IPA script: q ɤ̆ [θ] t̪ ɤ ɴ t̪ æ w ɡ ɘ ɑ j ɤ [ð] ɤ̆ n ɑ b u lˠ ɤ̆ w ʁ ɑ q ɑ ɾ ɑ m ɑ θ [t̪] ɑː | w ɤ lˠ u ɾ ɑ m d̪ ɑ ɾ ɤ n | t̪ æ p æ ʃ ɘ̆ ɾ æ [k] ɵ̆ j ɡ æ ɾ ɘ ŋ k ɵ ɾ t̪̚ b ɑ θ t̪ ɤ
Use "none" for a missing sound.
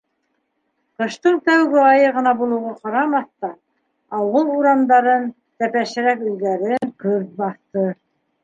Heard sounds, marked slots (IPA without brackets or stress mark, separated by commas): ʃ, ʁ, t̪, k